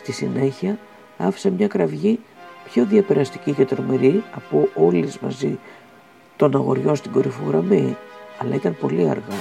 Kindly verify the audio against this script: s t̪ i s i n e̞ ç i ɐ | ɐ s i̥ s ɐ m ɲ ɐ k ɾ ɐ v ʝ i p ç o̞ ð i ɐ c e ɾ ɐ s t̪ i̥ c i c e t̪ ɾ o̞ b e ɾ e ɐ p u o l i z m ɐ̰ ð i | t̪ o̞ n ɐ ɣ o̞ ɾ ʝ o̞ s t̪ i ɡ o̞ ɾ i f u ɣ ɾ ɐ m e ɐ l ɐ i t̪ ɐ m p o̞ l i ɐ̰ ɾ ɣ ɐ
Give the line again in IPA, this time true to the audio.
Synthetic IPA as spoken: s t̪ i s i n e̞ ç i ɐ | ɐ f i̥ s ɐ m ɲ ɐ k ɾ ɐ v ʝ i p ç o̞ ð i ɐ p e ɾ ɐ s t̪ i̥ c i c e t̪ ɾ o̞ m e ɾ i ɐ p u o l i z m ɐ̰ z i | t̪ o̞ n ɐ ɣ o̞ ɾ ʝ o̞ s t̪ i ɡ o̞ ɾ i f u ɣ ɾ ɐ m i ɐ l ɐ i t̪ ɐ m p o̞ l i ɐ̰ ɾ ɣ ɐ